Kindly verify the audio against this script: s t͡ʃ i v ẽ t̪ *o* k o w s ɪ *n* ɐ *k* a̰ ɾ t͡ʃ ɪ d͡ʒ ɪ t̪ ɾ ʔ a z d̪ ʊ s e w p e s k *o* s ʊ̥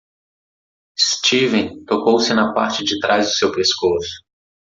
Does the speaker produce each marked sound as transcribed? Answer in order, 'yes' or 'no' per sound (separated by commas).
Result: yes, yes, no, yes